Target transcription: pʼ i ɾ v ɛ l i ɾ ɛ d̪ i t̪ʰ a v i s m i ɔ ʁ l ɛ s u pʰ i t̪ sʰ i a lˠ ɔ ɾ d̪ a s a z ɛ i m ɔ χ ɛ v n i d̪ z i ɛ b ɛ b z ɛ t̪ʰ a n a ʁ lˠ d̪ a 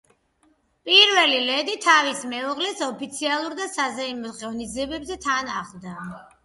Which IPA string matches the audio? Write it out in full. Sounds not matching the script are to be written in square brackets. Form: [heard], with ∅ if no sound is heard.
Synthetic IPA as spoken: pʼ i ɾ v ɛ l i [l] ɛ d̪ i t̪ʰ a v i s m [ɛ] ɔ ʁ l ɛ s [ɔ] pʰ i t̪ sʰ i a lˠ [u] ɾ d̪ a s a z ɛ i m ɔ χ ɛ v n i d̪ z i ɛ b ɛ b z ɛ t̪ʰ a n a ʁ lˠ d̪ a

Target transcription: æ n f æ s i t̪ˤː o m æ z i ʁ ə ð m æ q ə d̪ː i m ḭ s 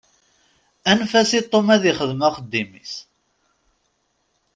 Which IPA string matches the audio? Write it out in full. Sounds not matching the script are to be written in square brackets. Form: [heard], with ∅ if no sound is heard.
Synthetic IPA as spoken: æ n f æ s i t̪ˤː o m æ [ð] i [χ] ə ð m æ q ə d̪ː i m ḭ s

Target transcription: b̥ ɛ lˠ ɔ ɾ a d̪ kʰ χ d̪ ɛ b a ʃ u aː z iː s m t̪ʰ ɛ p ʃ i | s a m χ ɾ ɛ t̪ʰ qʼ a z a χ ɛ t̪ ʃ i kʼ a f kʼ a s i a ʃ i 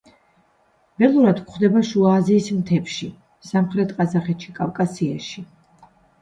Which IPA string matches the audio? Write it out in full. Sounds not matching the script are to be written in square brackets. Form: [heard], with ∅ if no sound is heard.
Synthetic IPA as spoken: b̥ ɛ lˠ [u] ɾ a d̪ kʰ χ d̪ ɛ b a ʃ u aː z iː s m t̪ʰ ɛ p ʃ i | s a m χ ɾ ɛ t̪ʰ qʼ a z a χ ɛ t̪ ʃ i kʼ a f kʼ a s i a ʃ i

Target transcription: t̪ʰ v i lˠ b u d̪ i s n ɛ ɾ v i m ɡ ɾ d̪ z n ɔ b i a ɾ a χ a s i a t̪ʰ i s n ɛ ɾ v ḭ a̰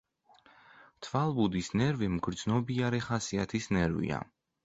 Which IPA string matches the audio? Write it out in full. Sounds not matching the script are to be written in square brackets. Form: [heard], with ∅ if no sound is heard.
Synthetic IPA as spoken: t̪ʰ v [a] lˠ b u d̪ i s n ɛ ɾ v i m ɡ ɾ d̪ z n ɔ b i a ɾ [ɛ] χ a s i a t̪ʰ i s n ɛ ɾ v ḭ a̰

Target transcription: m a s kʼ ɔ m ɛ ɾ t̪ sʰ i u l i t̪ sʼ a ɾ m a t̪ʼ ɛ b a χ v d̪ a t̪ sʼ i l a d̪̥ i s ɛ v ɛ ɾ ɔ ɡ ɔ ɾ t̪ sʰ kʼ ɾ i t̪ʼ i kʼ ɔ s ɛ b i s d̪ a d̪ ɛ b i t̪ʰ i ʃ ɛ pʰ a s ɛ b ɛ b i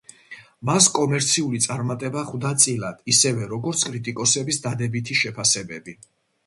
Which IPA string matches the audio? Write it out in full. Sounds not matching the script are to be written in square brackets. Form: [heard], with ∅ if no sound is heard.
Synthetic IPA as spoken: m a s kʼ ɔ m ɛ ɾ t̪ sʰ i u l i t̪ sʼ a ɾ m a t̪ʼ ɛ b a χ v d̪ a t̪ sʼ i l a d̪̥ i s ɛ v ɛ ɾ ɔ ɡ ɔ ɾ t̪ sʰ kʼ ɾ i t̪ʼ i kʼ ɔ s ɛ b i s d̪ a d̪ ɛ b i t̪ʰ i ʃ ɛ pʰ a s ɛ b ɛ b i

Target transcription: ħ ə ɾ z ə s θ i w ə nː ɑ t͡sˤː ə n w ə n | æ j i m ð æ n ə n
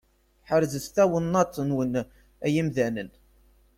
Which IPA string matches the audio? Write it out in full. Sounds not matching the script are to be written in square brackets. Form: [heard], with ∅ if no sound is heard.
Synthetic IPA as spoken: ħ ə ɾ z ə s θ [æ] w ə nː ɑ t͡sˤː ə n w ə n | æ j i m ð æ n ə n

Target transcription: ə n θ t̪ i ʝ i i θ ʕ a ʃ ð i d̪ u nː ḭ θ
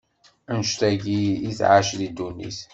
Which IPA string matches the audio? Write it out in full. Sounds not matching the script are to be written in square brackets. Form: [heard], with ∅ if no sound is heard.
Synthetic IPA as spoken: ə n [ʃ] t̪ [æ] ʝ i i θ ʕ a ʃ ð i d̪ u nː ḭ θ

